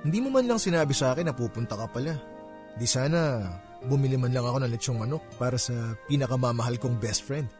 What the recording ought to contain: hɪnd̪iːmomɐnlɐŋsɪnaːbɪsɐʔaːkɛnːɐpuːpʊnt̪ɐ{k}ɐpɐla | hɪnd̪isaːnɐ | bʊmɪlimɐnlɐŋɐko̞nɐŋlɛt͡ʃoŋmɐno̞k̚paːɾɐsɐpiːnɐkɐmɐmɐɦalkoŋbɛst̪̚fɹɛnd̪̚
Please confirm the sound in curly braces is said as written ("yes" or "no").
yes